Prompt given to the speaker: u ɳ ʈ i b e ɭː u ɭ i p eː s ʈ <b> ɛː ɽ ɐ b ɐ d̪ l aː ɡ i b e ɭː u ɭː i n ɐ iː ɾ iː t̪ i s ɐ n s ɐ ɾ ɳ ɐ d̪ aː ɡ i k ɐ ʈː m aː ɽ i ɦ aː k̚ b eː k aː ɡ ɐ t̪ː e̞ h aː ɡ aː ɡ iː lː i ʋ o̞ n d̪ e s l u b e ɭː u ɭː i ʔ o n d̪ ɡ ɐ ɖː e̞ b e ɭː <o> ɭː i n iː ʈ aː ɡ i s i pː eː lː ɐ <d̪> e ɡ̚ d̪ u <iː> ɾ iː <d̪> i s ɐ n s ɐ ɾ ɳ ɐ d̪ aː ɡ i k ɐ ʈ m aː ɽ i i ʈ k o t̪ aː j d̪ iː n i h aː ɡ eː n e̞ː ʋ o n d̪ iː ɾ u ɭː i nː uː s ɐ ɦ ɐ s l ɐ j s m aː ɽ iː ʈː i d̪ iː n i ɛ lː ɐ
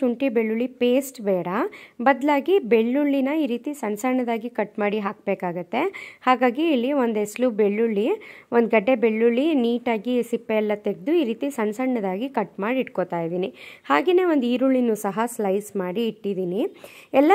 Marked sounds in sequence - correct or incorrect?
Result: correct, incorrect: u, incorrect: t̪, correct, incorrect: t̪

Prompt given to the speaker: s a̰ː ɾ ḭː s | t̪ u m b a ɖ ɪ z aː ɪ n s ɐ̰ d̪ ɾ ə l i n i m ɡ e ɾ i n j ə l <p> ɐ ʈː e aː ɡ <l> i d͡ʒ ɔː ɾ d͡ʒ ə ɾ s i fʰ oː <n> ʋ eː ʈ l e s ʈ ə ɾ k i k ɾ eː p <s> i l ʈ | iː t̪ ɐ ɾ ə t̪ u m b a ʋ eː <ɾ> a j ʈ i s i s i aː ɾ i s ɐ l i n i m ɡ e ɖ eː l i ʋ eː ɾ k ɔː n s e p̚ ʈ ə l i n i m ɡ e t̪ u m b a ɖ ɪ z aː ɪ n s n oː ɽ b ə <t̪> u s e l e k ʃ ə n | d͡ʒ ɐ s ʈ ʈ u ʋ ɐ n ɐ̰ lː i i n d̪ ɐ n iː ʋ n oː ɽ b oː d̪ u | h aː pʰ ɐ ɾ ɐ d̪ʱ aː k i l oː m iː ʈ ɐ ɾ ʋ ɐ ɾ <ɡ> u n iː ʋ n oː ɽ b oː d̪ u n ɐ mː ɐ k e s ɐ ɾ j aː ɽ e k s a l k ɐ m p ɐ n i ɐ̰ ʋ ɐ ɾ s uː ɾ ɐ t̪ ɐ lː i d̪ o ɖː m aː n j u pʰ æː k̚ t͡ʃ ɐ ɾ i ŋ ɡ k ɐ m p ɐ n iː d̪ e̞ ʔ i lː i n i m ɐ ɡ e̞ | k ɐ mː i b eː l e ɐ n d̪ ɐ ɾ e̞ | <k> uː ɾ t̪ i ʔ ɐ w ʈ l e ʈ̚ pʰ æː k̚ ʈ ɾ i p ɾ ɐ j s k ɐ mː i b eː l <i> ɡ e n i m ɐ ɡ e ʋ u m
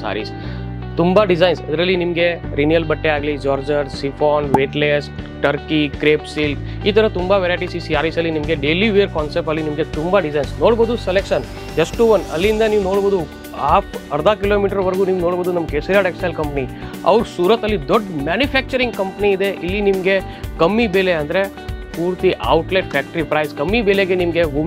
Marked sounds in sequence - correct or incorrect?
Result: incorrect: b, correct, correct, correct, correct, incorrect: d̪, correct, incorrect: p, incorrect: e

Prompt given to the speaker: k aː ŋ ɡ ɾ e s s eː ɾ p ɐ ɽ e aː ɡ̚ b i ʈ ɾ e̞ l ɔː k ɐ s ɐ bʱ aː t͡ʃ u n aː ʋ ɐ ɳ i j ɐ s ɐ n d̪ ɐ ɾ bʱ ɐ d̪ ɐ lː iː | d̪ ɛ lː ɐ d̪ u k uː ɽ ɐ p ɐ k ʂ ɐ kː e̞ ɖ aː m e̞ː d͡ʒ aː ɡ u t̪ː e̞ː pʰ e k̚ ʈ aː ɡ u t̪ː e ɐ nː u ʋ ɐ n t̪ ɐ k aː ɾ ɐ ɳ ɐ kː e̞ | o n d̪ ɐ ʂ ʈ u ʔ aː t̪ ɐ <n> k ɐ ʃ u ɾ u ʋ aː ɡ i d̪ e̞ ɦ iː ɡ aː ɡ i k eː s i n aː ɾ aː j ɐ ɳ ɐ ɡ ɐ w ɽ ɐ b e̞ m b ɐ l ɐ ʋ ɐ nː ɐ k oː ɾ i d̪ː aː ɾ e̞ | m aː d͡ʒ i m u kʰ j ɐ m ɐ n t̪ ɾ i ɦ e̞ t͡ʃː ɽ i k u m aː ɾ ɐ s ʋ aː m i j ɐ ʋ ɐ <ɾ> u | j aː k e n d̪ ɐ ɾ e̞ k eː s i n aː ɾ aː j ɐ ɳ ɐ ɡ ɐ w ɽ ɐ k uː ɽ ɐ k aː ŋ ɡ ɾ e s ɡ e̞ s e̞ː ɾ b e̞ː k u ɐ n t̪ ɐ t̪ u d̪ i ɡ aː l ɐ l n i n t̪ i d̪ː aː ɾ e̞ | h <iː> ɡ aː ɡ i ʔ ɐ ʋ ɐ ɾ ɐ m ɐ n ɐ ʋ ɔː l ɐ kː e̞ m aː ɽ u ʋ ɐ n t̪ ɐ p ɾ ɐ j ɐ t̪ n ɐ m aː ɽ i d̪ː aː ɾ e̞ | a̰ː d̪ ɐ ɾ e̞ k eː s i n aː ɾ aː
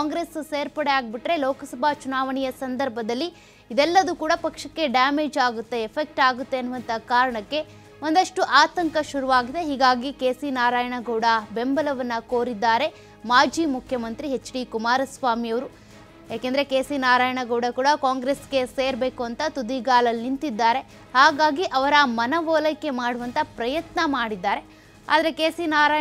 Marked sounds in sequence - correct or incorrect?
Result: incorrect: ŋ, correct, incorrect: aː

